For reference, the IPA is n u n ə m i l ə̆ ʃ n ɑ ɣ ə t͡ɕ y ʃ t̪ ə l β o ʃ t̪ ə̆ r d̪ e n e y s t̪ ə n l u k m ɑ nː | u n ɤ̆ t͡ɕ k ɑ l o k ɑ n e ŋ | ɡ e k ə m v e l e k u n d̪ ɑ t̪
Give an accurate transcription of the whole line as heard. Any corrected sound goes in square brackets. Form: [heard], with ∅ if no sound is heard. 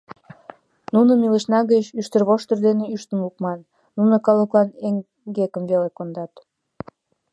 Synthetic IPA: n u n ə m i l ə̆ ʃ n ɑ ɣ ə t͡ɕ y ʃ t̪ ə [r] β o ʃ t̪ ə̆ r d̪ e n e y [ʃ] t̪ ə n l u k m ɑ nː | u n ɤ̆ [∅] k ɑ l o k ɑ n e ŋ | ɡ e k ə m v e l e k [o] n d̪ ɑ t̪